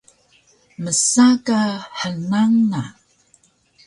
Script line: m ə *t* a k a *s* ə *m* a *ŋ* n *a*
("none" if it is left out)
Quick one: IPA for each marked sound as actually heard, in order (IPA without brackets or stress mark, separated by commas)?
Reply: s, ħ, n, ŋ, a